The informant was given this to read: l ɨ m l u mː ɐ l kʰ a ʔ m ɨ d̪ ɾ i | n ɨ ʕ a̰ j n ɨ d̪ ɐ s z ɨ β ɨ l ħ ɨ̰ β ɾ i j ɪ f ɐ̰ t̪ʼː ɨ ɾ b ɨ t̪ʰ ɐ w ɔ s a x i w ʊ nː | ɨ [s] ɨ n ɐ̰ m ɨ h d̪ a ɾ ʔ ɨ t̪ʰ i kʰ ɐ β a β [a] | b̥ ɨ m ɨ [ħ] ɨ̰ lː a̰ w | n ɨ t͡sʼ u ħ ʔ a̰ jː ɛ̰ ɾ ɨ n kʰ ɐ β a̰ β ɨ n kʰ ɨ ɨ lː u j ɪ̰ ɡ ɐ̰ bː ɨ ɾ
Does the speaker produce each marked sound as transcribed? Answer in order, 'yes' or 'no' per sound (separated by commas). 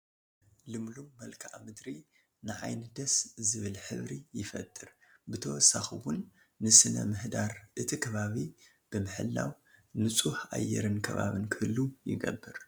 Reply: yes, no, yes